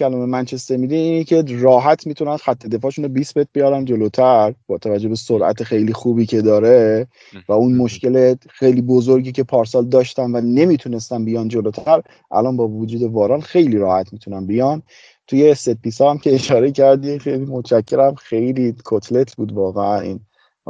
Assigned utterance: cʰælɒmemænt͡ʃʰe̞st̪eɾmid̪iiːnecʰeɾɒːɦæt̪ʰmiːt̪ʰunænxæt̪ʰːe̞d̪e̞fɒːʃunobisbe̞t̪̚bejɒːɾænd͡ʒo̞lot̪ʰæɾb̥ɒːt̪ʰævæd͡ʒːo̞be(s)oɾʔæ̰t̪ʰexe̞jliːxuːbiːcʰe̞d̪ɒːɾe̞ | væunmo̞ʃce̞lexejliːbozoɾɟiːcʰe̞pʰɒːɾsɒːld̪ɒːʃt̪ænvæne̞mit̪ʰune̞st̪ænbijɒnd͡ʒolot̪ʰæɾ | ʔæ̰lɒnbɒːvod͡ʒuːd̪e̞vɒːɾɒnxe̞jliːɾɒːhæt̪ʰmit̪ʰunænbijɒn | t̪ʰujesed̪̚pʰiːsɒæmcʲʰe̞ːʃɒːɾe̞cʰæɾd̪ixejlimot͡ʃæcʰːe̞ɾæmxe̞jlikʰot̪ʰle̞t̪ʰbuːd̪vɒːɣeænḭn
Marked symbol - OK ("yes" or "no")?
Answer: yes